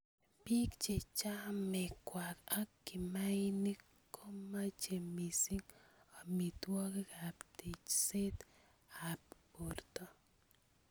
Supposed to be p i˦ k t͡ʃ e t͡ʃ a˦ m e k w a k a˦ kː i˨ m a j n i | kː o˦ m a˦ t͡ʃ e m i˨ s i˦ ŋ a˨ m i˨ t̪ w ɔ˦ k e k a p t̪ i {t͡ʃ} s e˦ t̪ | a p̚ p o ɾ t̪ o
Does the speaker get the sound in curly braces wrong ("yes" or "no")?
no